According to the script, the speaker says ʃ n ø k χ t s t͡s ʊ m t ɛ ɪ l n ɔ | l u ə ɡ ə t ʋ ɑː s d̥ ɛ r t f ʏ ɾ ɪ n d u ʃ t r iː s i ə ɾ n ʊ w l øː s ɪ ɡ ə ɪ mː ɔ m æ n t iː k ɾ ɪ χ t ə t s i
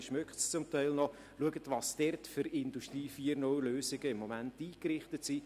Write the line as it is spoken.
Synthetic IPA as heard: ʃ m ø k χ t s t͡s ʊ m t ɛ ɪ l n ɔ | l u ə ɡ ə t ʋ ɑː s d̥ ɛ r t f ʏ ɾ ɪ n d u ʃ t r iː f i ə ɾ n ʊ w l øː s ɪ ɡ ə ɪ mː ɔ m æ n t iː k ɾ ɪ χ t ə t s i